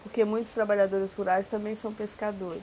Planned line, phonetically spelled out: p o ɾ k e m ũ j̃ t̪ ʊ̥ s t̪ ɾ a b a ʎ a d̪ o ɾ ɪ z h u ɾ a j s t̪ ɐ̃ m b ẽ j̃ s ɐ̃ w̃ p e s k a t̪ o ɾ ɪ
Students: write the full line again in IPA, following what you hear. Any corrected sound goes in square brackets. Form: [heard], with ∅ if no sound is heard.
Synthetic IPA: p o ɾ k e m ũ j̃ t̪ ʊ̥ s t̪ ɾ a b a ʎ a d̪ o ɾ ɪ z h u ɾ a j s t̪ ɐ̃ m b ẽ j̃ s ɐ̃ w̃ p e s k a [d̪] o ɾ ɪ